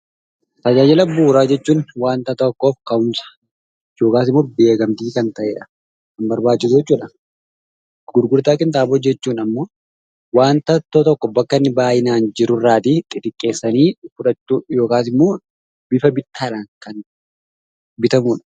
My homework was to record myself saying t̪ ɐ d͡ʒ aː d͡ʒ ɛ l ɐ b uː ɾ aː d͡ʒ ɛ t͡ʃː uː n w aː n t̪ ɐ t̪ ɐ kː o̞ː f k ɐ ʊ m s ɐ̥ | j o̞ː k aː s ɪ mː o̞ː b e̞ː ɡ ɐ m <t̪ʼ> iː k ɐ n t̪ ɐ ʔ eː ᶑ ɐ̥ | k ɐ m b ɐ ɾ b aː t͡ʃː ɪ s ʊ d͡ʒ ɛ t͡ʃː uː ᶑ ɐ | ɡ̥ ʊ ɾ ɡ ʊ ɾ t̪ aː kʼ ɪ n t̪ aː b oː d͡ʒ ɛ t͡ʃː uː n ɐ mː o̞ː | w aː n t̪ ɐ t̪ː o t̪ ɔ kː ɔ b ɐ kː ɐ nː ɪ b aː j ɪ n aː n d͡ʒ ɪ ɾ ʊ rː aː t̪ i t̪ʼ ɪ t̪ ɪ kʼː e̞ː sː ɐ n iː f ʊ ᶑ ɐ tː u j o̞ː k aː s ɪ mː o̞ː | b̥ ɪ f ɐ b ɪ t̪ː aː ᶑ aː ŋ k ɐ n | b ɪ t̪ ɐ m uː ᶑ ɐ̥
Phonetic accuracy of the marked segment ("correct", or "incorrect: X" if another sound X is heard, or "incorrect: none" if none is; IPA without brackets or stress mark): incorrect: t̪